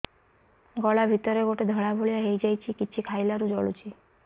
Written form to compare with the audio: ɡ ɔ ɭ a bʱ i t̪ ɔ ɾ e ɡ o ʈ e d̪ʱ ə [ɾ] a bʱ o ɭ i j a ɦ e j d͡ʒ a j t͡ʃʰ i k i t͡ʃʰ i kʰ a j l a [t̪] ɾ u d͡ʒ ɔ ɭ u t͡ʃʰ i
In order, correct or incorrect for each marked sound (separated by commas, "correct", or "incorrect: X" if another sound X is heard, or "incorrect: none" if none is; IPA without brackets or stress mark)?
incorrect: ɭ, incorrect: none